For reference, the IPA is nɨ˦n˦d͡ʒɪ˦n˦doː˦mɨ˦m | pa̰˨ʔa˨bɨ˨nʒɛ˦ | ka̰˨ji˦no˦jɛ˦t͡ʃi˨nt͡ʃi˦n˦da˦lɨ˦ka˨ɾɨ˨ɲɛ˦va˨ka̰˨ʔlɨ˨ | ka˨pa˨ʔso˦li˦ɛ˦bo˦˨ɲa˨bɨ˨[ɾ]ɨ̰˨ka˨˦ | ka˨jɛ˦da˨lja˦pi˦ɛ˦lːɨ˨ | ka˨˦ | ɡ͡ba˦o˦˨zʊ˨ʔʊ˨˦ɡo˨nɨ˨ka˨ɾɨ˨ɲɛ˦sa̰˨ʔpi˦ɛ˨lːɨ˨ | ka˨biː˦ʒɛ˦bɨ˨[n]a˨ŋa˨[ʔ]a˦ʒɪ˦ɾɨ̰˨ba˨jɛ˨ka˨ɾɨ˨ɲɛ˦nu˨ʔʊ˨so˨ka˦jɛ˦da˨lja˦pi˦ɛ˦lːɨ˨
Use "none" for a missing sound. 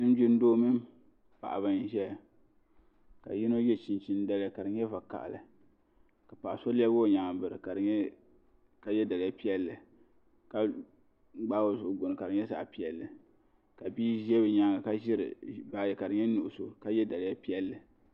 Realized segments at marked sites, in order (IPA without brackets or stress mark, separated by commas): ɾ, ɲ, k